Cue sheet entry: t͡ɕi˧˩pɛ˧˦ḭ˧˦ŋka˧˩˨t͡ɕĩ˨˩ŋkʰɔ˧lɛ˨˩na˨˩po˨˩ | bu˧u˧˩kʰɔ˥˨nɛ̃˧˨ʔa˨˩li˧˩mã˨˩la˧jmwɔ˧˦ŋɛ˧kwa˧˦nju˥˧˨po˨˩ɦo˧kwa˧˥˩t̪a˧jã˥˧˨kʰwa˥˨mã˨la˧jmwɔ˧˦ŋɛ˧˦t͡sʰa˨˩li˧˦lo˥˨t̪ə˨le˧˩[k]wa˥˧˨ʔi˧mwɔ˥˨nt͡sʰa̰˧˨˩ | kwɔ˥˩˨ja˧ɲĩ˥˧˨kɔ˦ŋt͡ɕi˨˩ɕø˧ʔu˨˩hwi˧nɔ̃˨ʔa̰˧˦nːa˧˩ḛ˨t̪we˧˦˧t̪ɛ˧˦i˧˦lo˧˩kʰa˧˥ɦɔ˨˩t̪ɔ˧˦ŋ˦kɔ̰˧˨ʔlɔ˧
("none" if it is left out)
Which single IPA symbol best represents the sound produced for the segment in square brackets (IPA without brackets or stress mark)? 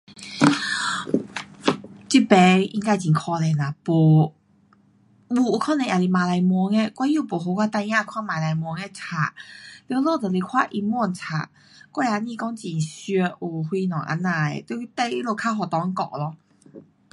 kʰ